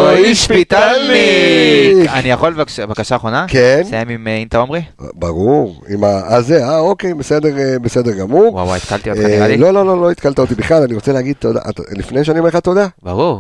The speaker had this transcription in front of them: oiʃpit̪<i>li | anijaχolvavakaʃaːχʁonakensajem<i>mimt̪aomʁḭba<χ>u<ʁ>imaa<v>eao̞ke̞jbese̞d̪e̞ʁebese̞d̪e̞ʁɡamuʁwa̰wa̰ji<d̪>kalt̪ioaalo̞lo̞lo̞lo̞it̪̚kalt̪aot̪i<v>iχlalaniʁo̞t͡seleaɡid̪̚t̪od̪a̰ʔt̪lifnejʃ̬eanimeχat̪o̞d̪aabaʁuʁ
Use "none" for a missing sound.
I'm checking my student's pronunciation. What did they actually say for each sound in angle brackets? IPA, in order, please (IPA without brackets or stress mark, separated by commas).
a, i, ʁ, ʁ, z, t̪, b